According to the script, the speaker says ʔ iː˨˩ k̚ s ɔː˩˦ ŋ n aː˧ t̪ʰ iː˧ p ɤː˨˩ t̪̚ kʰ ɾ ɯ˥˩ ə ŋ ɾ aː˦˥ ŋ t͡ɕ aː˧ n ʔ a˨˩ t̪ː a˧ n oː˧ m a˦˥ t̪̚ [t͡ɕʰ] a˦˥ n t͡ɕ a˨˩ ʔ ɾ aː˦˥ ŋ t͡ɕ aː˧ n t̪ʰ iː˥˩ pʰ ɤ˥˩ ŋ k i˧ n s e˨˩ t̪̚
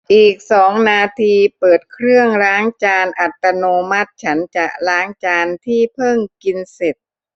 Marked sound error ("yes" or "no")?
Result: no